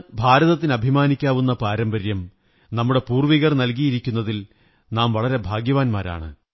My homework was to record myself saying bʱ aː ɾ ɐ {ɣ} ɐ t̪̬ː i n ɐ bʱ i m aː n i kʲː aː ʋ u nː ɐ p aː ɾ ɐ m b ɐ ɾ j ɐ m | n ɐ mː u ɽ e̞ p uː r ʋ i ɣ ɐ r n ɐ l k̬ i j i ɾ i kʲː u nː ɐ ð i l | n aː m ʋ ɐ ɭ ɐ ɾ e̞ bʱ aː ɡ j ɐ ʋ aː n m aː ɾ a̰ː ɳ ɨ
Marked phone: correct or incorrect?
incorrect